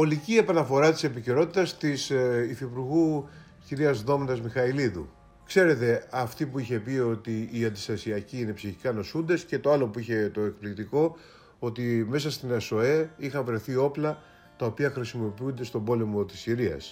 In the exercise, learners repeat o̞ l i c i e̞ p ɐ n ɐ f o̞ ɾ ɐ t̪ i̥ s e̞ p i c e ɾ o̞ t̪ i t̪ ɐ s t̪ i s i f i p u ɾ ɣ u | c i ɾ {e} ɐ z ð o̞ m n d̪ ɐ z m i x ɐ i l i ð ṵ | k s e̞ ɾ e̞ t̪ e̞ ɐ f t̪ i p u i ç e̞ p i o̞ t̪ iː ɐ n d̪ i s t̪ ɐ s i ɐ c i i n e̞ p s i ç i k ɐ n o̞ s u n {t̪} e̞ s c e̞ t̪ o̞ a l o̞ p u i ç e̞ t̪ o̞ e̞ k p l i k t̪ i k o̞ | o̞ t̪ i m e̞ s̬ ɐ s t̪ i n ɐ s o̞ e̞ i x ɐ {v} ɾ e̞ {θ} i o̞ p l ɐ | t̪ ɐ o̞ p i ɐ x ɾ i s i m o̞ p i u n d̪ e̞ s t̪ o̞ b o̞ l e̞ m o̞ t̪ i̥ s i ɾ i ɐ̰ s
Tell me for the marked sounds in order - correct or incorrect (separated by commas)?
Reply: incorrect, incorrect, correct, correct